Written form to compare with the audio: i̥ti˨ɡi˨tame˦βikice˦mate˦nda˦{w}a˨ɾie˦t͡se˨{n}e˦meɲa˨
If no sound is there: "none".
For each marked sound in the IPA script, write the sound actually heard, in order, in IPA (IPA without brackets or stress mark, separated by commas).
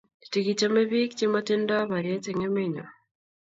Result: β, ŋ